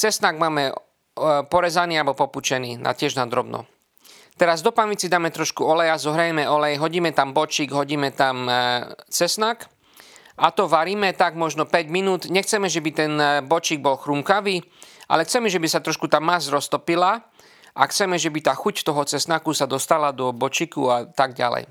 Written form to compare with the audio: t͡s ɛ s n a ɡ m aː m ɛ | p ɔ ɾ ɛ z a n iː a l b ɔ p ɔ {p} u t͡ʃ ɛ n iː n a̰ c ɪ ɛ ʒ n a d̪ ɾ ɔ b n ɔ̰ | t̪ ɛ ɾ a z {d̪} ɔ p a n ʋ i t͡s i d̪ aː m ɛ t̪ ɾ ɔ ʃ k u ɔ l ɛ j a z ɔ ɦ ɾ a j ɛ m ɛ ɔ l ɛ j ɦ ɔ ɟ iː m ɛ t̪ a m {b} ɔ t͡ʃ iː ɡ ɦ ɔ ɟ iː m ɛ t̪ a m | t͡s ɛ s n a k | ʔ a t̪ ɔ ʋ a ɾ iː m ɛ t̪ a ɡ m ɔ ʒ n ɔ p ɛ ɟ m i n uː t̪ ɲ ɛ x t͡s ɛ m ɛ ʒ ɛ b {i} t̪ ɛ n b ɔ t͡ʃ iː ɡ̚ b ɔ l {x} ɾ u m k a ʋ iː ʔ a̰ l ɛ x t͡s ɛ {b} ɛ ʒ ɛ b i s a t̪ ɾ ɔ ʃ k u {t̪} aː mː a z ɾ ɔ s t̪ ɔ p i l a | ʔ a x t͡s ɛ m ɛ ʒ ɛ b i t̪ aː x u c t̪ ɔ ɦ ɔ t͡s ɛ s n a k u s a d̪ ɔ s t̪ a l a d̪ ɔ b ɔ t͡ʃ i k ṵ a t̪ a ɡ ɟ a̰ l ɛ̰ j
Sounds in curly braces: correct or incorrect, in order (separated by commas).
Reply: correct, correct, correct, correct, correct, incorrect, correct